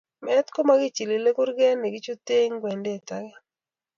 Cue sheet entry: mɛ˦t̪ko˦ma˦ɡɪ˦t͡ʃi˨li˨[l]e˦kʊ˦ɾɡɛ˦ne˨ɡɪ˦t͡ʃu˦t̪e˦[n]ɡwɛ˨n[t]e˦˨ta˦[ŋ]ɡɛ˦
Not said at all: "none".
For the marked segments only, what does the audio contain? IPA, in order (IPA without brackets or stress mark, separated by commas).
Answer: l, ŋ, d, none